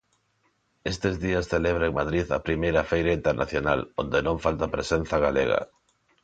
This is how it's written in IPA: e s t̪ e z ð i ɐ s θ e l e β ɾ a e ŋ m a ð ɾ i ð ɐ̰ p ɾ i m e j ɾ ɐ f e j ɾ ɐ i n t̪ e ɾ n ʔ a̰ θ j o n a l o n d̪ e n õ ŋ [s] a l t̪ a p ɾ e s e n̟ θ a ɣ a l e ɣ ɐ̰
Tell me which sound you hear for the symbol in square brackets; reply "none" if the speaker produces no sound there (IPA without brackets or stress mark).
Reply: f